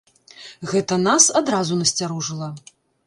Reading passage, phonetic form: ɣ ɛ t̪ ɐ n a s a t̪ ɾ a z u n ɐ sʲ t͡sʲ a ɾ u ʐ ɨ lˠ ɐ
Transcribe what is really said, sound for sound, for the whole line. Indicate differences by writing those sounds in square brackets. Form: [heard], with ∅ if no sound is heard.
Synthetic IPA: ɣ ɛ t̪ ɐ n a s a [d̪] ɾ a z u n ɐ sʲ t͡sʲ a ɾ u ʐ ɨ lˠ ɐ